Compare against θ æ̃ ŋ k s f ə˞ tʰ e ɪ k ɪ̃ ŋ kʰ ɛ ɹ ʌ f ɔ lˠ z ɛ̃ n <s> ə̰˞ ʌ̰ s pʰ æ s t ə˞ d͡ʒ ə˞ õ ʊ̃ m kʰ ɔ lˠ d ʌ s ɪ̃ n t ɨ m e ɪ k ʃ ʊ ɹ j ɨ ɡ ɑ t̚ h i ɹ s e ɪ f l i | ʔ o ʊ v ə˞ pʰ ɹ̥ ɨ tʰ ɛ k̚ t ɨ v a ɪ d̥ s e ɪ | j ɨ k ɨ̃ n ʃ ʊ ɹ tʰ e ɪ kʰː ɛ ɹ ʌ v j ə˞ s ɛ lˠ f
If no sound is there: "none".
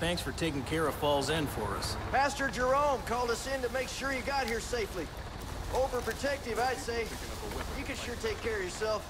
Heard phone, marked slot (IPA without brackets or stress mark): f